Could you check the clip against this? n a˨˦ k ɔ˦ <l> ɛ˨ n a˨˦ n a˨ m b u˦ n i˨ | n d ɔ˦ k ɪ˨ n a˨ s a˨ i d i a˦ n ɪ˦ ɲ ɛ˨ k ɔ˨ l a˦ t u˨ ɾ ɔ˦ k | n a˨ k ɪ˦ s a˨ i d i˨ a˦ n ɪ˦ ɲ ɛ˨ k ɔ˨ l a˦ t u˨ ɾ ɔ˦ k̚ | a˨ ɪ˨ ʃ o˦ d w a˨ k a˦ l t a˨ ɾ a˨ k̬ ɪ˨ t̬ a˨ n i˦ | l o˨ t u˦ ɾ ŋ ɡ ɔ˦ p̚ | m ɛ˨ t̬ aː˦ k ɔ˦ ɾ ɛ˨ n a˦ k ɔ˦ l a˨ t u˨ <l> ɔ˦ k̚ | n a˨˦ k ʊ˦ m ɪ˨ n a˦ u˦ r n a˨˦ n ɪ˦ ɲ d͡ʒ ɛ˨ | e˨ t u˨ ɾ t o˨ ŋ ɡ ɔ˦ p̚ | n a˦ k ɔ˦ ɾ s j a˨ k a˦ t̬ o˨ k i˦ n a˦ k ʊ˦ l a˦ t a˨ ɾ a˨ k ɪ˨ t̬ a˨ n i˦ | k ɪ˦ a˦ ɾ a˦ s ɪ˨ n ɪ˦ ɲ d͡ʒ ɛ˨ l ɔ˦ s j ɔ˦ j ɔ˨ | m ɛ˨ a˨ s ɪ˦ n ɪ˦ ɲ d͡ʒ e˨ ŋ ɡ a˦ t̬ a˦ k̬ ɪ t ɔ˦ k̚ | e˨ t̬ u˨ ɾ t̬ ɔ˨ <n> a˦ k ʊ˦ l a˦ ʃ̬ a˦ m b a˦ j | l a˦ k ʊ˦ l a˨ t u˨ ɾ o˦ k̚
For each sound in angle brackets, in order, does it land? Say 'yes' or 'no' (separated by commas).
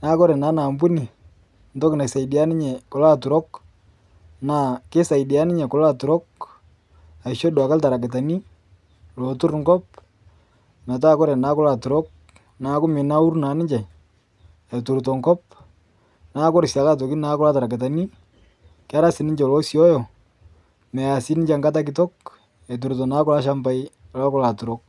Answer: no, no, yes